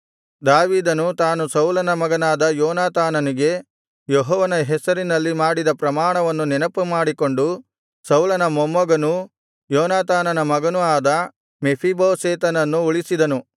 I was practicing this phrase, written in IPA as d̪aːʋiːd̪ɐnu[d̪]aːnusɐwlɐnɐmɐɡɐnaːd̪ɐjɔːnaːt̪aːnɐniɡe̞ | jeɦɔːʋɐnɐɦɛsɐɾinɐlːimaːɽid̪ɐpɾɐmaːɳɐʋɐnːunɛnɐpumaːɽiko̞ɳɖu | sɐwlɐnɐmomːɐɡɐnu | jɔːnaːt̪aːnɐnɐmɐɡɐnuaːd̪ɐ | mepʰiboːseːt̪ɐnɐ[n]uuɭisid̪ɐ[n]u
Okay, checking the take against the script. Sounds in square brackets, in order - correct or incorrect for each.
incorrect: t̪, incorrect: nː, correct

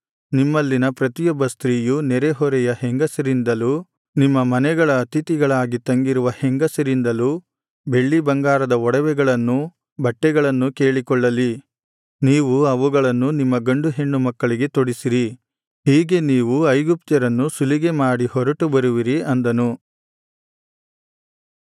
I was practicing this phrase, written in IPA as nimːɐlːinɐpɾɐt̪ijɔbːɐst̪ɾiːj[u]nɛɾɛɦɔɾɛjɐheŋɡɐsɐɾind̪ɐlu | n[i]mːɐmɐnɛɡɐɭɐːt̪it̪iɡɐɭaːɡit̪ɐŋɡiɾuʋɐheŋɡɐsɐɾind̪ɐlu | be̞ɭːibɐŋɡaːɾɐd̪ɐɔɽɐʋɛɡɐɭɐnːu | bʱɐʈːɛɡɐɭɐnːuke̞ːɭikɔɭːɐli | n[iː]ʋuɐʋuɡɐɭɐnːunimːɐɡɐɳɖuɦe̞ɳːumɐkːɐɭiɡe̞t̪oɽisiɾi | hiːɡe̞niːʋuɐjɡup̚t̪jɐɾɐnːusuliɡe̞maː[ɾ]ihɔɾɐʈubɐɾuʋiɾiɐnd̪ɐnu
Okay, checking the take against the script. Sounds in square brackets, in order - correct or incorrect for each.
correct, correct, correct, incorrect: ɽ

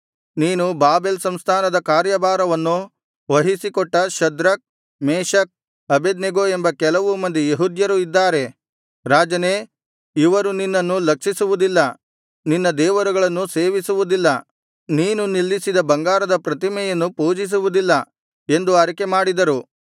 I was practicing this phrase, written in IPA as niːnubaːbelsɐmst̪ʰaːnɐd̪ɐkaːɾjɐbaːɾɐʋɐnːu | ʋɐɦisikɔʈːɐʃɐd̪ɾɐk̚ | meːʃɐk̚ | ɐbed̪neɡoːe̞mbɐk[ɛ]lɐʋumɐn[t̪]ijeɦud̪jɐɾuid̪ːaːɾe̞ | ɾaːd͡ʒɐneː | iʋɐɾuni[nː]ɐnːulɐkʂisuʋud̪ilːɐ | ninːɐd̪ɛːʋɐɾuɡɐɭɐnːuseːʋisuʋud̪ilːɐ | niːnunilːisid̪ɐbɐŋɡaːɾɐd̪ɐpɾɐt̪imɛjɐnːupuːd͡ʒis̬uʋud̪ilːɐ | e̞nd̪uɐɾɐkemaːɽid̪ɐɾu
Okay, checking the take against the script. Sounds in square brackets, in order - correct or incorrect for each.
correct, incorrect: d̪, correct

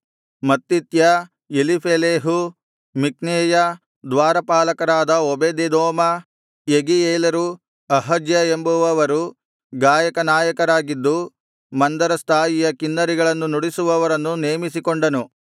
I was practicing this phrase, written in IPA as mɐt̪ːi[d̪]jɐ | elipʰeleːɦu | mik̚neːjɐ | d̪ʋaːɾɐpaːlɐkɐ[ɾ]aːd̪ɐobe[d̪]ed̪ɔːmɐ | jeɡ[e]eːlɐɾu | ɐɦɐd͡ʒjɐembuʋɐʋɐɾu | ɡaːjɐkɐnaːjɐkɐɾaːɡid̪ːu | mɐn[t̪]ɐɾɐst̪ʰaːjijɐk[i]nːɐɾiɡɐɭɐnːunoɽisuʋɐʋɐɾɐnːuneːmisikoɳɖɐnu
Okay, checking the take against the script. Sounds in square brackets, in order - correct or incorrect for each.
incorrect: t̪, correct, correct, incorrect: i, incorrect: d̪, correct

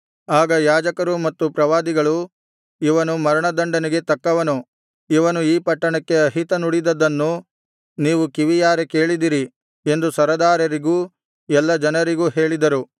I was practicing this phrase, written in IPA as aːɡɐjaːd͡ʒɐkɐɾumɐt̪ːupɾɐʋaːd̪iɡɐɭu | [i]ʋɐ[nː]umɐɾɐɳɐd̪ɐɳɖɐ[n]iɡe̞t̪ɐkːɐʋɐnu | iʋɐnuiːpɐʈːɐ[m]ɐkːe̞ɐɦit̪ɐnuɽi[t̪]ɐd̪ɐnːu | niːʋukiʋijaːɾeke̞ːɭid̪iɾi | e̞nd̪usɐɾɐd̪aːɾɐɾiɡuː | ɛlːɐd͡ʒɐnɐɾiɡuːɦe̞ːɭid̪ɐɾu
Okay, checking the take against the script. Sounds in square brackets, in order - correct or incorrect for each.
correct, incorrect: n, correct, incorrect: ɳ, incorrect: d̪

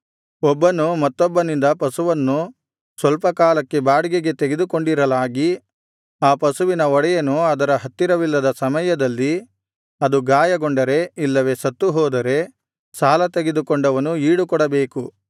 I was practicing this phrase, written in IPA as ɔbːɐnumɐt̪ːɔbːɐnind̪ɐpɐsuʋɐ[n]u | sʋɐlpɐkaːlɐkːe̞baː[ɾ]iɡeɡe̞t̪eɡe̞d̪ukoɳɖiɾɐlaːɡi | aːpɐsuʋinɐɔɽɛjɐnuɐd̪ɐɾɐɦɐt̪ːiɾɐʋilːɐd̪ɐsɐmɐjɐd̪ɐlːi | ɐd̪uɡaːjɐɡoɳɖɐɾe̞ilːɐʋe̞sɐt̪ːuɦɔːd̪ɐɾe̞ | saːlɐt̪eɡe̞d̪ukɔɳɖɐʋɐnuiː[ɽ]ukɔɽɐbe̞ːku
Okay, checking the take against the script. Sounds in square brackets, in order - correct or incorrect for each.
incorrect: nː, incorrect: ɽ, correct

